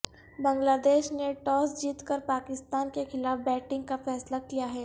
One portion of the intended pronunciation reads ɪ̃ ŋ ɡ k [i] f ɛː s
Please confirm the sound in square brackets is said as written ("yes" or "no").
no